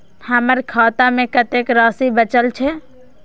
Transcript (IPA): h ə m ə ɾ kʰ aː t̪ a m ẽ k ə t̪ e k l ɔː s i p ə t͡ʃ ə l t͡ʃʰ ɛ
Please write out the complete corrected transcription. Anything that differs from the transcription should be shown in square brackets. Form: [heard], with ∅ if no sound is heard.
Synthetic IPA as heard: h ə m ə ɾ kʰ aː t̪ a m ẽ k ə t̪ e k [ɾ] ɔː s i [b] ə t͡ʃ ə l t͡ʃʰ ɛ